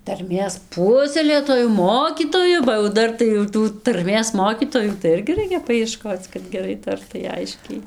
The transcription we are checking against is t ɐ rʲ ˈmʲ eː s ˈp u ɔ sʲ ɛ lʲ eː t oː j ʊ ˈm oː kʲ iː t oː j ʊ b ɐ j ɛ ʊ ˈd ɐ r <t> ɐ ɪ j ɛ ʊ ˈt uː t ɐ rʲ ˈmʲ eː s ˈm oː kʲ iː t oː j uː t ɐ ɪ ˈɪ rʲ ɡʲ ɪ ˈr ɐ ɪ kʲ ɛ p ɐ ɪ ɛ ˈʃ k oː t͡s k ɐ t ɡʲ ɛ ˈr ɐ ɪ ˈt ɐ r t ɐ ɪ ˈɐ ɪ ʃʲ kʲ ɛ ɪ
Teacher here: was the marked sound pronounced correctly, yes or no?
yes